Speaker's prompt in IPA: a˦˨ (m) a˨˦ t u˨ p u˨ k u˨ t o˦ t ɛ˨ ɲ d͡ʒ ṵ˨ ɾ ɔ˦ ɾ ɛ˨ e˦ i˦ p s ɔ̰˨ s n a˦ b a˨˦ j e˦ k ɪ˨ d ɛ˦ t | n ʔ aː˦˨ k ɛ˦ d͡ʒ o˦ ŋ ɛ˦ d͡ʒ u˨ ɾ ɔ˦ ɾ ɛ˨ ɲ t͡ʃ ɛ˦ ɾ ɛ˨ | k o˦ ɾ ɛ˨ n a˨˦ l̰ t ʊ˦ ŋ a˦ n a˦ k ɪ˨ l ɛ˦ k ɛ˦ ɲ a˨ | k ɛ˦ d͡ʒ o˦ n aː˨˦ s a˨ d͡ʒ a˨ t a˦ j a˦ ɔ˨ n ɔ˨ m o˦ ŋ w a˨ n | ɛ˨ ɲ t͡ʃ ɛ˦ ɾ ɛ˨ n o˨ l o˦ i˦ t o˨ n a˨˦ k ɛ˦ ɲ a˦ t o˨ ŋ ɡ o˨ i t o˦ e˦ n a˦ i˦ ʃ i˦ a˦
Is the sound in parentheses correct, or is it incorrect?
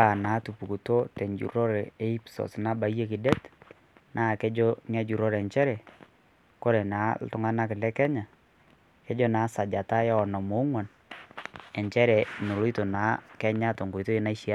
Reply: incorrect